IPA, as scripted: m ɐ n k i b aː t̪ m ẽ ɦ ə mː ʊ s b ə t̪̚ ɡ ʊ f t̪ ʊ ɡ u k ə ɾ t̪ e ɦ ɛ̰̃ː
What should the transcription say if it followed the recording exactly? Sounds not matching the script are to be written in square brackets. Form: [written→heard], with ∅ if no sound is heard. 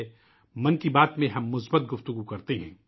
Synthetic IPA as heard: m ɐ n k i b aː t̪ m ẽ ɦ [ə→ɐ] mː ʊ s b ə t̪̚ ɡ ʊ f t̪ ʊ ɡ u k [ə→ɐ] ɾ t̪ e ɦ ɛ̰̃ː